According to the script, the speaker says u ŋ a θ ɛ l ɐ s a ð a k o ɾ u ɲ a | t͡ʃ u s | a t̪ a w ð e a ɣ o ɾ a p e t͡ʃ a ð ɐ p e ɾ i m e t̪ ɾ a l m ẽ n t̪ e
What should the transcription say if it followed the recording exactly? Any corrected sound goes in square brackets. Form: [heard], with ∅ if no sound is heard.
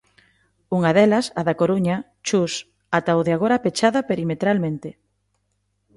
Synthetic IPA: u ŋ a [ð] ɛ l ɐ s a ð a k o ɾ u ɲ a | t͡ʃ u s | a t̪ a w ð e a ɣ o ɾ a p e t͡ʃ a ð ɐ p e ɾ i m e t̪ ɾ a l m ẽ n t̪ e